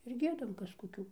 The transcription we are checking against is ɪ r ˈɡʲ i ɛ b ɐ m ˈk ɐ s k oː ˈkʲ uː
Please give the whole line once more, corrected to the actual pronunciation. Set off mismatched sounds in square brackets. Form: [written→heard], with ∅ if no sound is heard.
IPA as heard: ɪ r ˈɡʲ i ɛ [b→d] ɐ m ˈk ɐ s k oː ˈkʲ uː